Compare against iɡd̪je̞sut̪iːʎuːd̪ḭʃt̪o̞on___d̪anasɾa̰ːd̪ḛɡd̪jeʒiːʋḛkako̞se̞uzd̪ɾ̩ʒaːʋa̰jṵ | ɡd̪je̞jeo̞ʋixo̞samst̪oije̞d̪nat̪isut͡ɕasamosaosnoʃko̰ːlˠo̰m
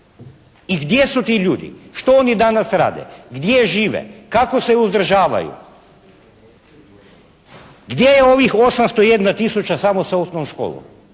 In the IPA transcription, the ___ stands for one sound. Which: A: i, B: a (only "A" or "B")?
A